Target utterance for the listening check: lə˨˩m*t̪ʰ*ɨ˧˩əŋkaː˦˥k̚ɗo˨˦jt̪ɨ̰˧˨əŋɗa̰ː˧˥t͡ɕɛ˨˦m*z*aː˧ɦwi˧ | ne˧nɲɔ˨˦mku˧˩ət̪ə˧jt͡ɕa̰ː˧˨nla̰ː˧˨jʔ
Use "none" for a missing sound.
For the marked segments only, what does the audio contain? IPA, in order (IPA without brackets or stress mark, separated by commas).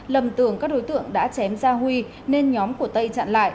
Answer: t̪, z